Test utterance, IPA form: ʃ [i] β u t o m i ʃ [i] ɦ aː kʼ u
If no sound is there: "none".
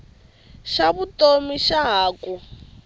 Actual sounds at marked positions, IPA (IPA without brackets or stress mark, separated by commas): a, a